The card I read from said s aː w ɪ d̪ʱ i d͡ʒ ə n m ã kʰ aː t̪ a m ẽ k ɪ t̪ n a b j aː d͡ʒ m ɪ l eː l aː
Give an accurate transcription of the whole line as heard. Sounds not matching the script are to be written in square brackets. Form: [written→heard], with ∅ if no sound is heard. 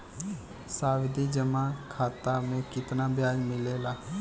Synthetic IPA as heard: s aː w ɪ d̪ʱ i d͡ʒ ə [n→∅] m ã kʰ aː t̪ a m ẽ k ɪ t̪ n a b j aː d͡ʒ m ɪ l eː l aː

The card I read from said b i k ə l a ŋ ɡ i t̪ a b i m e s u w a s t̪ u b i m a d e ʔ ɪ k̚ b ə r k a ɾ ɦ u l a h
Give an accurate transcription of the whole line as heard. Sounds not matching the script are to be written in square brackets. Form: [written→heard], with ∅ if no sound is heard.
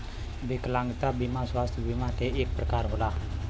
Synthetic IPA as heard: b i k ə l a ŋ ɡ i t̪ a b i m [e→a] s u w a s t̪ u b i m a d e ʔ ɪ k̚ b ə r k a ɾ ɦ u l a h

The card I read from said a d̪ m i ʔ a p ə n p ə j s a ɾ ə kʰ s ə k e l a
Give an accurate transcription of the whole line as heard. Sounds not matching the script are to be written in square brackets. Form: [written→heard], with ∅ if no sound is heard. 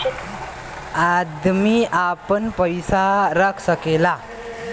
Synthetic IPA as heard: a d̪ m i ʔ a p ə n p ə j s a ɾ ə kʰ s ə k e l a

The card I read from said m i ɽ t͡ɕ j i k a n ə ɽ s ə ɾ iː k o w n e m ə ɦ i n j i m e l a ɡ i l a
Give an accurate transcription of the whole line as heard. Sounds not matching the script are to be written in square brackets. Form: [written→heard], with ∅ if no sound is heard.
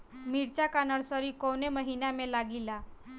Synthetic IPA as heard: m i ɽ t͡ɕ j [i→a] k a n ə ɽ s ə ɾ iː k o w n e m ə ɦ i n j [i→a] m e l a ɡ i l a

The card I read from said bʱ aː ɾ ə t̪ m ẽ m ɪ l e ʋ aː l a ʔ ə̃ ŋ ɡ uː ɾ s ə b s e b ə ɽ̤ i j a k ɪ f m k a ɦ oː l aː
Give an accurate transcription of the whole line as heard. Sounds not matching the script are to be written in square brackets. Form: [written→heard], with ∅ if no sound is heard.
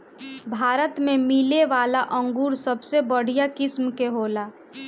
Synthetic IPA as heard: bʱ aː ɾ ə t̪ m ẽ m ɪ l e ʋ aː l a ʔ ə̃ ŋ ɡ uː ɾ s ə b s e b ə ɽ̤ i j a k ɪ [f→s] m k [a→e] ɦ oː l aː

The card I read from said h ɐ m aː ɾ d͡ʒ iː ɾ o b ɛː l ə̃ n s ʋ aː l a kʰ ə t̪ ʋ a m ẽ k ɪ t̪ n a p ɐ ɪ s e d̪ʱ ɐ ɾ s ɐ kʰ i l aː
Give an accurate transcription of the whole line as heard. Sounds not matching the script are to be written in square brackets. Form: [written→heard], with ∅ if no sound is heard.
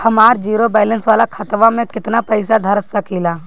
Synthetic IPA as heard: h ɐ m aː ɾ d͡ʒ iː ɾ o b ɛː l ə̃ n s ʋ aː l a kʰ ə t̪ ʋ a m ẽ k ɪ t̪ n a p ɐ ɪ s [e→a] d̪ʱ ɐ ɾ s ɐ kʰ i l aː

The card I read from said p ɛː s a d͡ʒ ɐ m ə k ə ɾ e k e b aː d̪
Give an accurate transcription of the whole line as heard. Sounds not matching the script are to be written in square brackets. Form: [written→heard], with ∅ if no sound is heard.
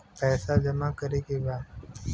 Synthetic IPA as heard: p ɛː s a d͡ʒ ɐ m [ə→a] k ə ɾ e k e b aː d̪

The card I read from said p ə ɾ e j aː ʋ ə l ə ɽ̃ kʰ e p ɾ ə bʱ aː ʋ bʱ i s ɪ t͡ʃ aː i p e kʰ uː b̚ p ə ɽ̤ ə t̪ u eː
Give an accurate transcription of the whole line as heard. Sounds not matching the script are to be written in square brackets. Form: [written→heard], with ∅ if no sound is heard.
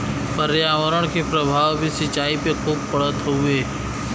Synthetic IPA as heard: p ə ɾ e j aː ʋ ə [l→ɾ] ə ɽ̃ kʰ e p ɾ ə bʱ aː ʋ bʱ i s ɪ t͡ʃ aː i p e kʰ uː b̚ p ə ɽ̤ ə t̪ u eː

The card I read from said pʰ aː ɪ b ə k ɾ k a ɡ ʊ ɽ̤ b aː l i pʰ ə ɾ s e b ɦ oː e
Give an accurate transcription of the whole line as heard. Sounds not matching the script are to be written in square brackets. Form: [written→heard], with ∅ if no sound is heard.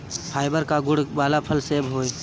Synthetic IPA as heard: pʰ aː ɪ b ə [k→∅] ɾ k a ɡ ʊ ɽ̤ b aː l [i→a] pʰ ə [ɾ→l] s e b ɦ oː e

